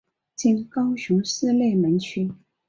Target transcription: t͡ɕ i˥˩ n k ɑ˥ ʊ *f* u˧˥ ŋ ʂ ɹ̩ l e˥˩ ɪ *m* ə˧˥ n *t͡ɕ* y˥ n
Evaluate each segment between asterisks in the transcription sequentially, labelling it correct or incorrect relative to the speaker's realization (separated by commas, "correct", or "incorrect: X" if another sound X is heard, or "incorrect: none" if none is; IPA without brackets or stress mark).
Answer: incorrect: ɕ, correct, incorrect: t͡ɕʰ